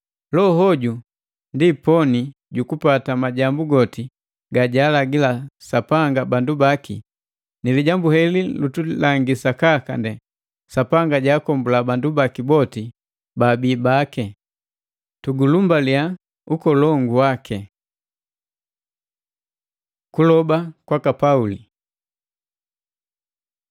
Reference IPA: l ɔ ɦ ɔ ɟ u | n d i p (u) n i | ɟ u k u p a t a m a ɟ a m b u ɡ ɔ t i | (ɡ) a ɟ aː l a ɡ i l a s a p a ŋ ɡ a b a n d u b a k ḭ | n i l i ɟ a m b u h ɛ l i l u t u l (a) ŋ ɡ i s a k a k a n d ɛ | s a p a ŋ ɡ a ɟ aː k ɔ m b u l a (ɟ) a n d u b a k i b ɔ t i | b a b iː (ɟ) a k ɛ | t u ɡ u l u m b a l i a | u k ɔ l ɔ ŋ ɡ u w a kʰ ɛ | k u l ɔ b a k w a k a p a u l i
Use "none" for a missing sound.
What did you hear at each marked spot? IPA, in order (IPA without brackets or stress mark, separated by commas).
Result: ɔ, ɡ, a, b, b